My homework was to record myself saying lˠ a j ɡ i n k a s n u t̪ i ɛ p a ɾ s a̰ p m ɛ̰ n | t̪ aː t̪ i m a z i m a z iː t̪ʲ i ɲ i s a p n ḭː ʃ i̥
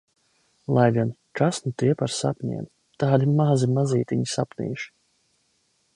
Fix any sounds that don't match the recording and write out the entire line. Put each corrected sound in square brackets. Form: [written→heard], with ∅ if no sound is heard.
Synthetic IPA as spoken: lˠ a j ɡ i n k a s n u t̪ i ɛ p a ɾ s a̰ p [m→ɲ] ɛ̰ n | t̪ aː [t̪→d̪] i m a z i m a z iː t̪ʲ i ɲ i s a p n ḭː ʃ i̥

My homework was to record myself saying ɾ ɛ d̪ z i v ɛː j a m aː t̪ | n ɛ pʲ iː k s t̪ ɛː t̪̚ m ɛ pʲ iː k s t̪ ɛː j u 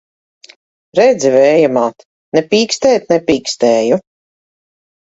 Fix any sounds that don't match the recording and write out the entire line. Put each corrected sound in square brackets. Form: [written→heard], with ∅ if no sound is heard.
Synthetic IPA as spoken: ɾ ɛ d̪ z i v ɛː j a m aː t̪ | n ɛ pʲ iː k s t̪ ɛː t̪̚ [m→n] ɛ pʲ iː k s t̪ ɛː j u

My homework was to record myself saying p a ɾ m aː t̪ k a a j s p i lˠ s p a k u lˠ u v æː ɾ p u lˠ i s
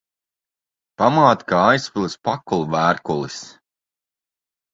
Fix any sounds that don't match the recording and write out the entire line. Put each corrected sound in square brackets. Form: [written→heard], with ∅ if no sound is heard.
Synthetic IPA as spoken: p a [ɾ→∅] m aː t̪ k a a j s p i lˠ s p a k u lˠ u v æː ɾ [p→k] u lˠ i s

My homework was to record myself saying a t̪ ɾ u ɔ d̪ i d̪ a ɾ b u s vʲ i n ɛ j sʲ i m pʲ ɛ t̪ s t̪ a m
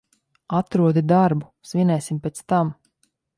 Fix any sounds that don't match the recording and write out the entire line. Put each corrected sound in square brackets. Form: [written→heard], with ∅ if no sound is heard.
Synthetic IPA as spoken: a t̪ ɾ u ɔ d̪ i d̪ a ɾ b u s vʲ i n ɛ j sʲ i m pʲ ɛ t̪ s t̪ a m

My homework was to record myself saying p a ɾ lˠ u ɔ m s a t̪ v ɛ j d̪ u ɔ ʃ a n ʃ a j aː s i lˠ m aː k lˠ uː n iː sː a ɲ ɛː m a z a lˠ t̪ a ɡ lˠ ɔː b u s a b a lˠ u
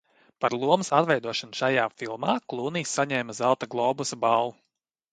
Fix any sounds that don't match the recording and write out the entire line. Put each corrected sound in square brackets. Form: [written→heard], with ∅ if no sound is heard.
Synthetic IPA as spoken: p a ɾ lˠ u ɔ m s a t̪ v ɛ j d̪ u ɔ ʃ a n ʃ a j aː [s→f] i lˠ m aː k lˠ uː n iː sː a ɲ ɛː m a z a lˠ t̪ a ɡ lˠ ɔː b u s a b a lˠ u

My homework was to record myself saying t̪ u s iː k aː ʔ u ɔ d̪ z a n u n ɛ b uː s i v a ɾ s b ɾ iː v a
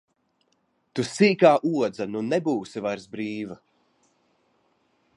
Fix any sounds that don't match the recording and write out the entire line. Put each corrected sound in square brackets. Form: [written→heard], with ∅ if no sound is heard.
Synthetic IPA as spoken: t̪ u s iː k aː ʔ u ɔ d̪ z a n u n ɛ b uː s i v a ɾ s b ɾ iː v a

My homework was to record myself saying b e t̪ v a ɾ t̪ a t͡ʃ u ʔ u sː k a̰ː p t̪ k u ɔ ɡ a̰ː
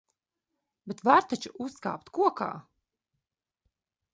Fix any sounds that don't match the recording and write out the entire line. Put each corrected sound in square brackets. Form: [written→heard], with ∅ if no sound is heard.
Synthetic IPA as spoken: b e t̪ v a ɾ t̪ a t͡ʃ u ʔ u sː k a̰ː p t̪ k u ɔ [ɡ→k] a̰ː

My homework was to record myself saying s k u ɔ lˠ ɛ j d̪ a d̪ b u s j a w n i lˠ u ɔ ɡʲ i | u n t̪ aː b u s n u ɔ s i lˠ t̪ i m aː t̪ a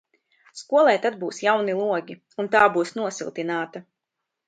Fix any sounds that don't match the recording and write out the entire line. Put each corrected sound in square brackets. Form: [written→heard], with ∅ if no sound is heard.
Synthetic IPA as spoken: s k u ɔ lˠ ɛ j [d̪→t̪] a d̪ b [u→uː] s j a w n i lˠ u ɔ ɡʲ i | u n t̪ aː b [u→uː] s n u ɔ s i lˠ t̪ i [m→n] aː t̪ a

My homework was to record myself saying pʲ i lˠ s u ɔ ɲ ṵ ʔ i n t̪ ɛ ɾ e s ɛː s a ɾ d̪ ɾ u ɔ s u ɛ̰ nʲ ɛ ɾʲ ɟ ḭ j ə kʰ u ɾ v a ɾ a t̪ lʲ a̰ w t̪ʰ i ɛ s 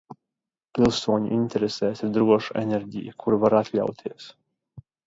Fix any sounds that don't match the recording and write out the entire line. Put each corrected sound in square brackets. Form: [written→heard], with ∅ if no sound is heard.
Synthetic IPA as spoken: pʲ i lˠ s u ɔ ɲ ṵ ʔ i n t̪ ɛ ɾ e s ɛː s [a→i] ɾ d̪ ɾ u ɔ [s→ʃ] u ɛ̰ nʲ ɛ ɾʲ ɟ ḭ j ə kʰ u ɾ v a ɾ a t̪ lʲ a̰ w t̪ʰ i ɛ s

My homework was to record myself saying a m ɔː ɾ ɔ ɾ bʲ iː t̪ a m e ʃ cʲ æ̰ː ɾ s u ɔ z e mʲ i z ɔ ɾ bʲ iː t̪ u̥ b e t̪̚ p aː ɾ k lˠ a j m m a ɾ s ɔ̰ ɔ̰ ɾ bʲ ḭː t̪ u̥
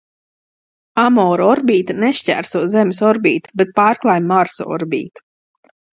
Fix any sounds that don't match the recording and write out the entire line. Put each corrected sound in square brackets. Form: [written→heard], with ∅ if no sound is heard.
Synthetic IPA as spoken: a m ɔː ɾ ɔ ɾ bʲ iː t̪ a [m→n] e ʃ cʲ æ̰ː ɾ s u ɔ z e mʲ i [z→s] ɔ ɾ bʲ iː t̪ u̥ b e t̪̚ p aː ɾ k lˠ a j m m a ɾ s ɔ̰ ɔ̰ ɾ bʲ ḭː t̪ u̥

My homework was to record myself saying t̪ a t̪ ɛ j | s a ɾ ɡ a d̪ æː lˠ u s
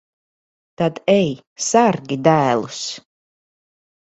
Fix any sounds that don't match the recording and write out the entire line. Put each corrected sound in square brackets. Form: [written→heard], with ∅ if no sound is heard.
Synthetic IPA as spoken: t̪ a [t̪→d̪] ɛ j | s a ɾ ɡ [a→i] d̪ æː lˠ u s

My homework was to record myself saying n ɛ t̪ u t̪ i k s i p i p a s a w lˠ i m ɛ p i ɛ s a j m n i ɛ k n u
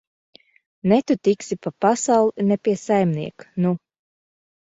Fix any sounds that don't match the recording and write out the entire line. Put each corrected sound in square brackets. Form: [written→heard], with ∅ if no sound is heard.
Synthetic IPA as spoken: n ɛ t̪ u t̪ i k s i p [i→a] p a s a w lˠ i [m→n] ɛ p i ɛ s a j m n i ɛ k n u

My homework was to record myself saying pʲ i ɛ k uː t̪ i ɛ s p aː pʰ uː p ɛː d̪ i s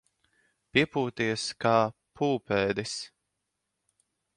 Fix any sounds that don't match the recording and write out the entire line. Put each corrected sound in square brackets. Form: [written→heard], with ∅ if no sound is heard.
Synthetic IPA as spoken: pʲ i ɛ [k→p] uː t̪ i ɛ s [p→k] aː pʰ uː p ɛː d̪ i s

